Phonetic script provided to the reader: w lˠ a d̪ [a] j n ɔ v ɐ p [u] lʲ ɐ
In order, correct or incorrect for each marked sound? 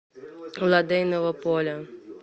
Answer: incorrect: ɛ, incorrect: ɔ

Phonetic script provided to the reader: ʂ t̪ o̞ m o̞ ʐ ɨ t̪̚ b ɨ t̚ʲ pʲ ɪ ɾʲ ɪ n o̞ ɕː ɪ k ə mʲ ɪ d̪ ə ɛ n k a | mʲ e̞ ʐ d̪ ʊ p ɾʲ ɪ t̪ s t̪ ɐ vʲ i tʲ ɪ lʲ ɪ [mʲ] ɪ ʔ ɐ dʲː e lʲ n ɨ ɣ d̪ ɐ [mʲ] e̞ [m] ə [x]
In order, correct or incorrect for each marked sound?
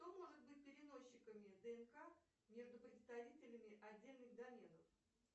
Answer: correct, correct, incorrect: n, incorrect: f

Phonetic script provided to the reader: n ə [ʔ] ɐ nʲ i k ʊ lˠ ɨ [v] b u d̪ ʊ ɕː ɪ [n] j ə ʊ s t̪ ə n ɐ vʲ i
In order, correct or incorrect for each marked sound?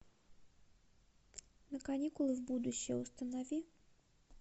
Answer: incorrect: k, correct, incorrect: none

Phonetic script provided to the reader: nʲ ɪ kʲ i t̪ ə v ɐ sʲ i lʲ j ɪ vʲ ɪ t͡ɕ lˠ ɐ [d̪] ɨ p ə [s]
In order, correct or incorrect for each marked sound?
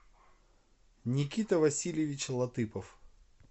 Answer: incorrect: t̪, incorrect: f

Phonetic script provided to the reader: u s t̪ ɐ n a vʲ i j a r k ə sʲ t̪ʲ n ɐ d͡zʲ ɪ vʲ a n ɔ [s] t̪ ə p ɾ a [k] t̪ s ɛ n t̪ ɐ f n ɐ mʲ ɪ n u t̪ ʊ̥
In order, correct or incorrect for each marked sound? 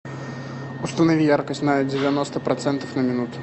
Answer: correct, incorrect: none

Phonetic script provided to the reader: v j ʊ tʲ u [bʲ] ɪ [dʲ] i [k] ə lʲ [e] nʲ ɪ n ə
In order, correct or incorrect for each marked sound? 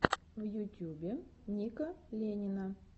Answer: correct, incorrect: nʲ, correct, correct

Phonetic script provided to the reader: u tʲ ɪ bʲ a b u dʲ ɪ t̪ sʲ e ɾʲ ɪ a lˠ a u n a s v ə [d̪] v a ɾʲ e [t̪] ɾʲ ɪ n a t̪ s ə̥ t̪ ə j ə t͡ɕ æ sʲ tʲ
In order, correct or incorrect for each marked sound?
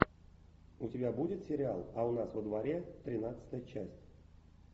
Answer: correct, correct

